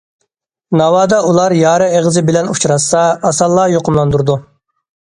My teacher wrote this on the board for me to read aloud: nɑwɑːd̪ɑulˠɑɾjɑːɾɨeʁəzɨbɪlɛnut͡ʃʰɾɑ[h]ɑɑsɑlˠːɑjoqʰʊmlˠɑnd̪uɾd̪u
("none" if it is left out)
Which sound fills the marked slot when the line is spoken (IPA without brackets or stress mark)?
s